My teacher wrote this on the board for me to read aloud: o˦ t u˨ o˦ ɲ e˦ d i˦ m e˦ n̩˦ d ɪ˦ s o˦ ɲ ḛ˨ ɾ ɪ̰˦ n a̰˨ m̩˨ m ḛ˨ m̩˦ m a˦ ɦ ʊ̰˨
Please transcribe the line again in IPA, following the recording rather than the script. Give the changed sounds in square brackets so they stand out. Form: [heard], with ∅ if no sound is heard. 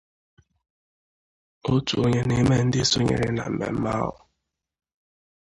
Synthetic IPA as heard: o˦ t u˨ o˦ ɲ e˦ [n] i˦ m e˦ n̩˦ d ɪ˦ s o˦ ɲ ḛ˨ ɾ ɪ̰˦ n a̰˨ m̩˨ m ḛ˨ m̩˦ m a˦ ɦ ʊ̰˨